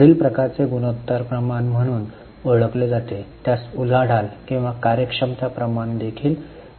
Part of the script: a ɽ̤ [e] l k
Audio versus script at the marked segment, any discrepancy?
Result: yes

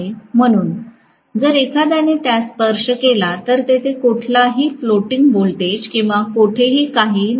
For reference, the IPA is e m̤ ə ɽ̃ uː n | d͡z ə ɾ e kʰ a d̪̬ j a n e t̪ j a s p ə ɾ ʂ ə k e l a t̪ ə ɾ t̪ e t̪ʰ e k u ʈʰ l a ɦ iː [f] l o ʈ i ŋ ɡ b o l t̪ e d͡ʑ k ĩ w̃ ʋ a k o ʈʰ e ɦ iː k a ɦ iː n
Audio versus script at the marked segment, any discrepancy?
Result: no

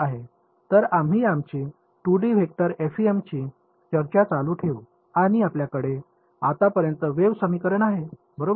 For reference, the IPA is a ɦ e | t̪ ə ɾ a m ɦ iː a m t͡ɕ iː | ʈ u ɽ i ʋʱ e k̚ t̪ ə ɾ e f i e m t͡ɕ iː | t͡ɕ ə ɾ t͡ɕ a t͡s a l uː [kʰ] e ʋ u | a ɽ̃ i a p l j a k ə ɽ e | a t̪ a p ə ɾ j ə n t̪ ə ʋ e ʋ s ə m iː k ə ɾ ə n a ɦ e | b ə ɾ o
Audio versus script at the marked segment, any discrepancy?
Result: yes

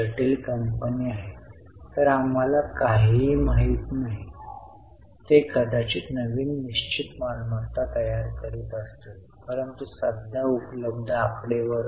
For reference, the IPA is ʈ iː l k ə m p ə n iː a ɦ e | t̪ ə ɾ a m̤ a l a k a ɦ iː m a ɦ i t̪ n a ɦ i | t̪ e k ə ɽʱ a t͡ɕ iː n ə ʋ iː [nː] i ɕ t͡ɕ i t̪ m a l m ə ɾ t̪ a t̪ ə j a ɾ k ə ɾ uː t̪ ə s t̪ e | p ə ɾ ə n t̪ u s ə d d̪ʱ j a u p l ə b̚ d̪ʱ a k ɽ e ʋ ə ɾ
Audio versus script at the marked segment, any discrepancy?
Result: no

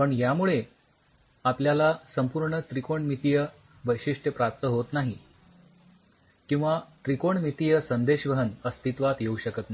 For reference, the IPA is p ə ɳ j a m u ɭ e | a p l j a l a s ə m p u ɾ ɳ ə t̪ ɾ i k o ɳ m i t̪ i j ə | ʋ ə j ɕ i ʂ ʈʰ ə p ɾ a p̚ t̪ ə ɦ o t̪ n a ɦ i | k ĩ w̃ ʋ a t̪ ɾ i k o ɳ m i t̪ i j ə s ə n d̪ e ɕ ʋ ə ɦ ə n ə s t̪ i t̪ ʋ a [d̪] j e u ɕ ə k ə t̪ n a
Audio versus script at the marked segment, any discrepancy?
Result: yes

